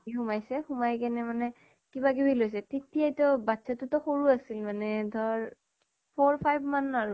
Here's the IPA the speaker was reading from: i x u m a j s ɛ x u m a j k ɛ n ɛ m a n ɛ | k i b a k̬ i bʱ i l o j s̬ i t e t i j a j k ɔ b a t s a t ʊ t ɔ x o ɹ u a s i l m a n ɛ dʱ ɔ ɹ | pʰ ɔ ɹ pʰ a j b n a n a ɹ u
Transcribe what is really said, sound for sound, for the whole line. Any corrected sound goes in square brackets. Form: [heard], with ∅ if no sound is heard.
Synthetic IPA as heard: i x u m a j s ɛ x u m a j k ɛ n ɛ m a n ɛ | k i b a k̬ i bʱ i l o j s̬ [ɛ] t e t i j a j [t] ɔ b a t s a t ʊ t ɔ x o ɹ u a s i l m a n ɛ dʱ ɔ ɹ | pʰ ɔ ɹ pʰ a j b [m] a n a ɹ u